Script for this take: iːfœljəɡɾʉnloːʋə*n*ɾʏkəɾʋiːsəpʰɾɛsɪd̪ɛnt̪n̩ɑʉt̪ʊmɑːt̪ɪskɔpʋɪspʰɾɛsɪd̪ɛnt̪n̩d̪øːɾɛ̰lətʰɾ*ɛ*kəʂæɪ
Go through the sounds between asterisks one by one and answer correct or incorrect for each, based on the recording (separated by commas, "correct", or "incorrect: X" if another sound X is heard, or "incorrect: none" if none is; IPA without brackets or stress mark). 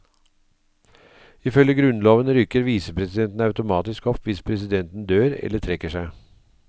correct, correct